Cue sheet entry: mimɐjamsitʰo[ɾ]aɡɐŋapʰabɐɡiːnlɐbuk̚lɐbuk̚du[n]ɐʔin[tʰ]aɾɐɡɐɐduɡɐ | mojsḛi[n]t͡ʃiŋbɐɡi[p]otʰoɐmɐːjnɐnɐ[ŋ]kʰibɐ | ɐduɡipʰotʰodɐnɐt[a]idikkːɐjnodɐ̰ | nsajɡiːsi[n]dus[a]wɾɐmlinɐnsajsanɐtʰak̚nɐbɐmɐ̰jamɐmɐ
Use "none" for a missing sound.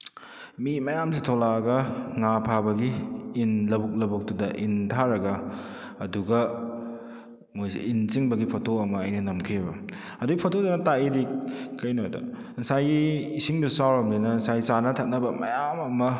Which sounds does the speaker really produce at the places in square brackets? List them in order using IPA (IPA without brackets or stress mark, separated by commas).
l, d, tʰ, n, pʰ, m, a, ŋ, a